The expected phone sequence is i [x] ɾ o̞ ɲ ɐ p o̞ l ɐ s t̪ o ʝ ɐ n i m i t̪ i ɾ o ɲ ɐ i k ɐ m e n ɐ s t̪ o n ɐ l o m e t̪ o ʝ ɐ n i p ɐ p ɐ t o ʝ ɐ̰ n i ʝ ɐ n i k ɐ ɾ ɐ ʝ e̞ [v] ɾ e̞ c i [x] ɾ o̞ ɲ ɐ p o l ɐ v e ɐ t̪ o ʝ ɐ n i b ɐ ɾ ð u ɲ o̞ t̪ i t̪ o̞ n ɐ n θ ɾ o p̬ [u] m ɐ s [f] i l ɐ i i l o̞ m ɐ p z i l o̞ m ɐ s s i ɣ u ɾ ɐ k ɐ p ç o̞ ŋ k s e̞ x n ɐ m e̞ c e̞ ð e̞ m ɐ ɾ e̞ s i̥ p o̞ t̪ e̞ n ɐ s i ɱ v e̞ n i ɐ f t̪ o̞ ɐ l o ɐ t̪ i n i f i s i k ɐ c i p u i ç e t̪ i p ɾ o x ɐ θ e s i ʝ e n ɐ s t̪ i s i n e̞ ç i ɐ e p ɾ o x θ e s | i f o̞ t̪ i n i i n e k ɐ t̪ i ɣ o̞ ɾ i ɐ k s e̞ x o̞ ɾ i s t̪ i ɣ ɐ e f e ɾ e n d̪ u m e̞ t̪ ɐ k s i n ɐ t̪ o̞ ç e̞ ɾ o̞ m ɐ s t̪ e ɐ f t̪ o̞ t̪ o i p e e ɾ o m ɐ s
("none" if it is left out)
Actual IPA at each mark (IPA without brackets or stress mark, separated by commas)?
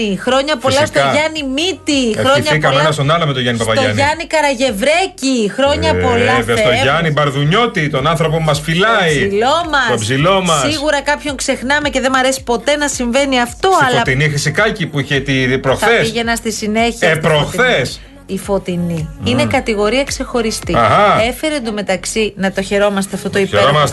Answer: x, v, x, o, f